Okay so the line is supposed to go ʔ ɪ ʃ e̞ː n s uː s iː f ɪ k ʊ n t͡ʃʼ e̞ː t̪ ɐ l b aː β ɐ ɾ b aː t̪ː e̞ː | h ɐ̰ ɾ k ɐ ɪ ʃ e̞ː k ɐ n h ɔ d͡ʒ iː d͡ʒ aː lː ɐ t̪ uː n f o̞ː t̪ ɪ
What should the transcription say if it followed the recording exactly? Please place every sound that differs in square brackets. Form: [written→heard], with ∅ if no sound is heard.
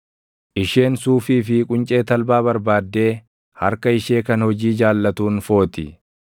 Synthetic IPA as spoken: ʔ ɪ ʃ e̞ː n s uː [s→f] iː f ɪ [k→kʼ] ʊ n t͡ʃʼ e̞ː t̪ ɐ l b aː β ɐ ɾ b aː [t̪ː→d̪ː] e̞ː | h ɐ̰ ɾ k ɐ ɪ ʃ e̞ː k ɐ n h ɔ d͡ʒ iː d͡ʒ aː lː ɐ t̪ uː n f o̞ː t̪ ɪ